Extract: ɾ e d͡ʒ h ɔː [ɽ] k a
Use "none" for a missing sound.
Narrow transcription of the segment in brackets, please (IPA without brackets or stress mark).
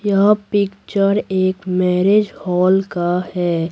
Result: l